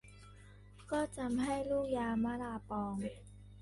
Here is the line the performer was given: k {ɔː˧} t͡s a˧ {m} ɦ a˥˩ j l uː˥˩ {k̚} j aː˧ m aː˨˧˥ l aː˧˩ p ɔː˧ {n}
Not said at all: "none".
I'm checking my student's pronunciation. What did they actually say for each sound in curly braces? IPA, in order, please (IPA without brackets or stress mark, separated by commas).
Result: ɔː˥˩, m, k̚, ŋ